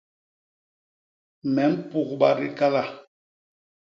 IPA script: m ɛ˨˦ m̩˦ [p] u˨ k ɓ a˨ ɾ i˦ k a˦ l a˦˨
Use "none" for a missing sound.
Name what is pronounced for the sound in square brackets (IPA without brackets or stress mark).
p